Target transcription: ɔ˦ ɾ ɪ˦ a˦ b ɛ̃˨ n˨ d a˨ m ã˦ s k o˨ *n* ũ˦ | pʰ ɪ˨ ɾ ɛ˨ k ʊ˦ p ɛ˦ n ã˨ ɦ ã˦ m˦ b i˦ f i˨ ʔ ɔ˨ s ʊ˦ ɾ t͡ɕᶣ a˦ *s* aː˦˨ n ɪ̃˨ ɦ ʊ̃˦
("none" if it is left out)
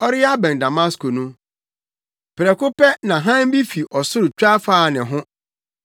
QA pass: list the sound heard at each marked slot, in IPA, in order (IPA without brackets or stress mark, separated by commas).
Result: n, f